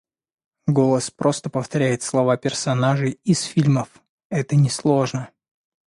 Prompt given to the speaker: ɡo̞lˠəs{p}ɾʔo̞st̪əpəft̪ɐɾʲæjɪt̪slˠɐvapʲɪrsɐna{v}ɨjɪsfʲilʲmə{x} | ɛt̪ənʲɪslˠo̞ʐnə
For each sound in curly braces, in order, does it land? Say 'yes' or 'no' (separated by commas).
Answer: yes, no, no